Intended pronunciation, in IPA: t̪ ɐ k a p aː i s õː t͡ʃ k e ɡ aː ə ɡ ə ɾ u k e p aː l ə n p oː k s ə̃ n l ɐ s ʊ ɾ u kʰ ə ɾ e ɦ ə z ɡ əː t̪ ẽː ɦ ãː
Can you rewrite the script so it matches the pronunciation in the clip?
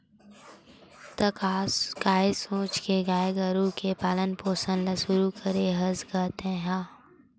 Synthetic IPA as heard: t̪ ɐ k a k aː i s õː t͡ʃ k e ɡ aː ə ɡ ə ɾ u k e p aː l ə n p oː s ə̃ n l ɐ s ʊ ɾ u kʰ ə ɾ e ɦ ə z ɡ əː t̪ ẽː ɦ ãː